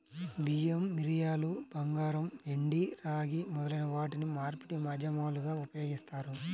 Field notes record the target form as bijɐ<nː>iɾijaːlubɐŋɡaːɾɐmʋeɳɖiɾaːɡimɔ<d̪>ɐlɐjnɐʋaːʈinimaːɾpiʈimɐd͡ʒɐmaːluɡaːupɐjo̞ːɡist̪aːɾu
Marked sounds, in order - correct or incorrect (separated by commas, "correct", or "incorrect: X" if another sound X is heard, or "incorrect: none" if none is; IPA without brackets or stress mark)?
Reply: incorrect: mː, correct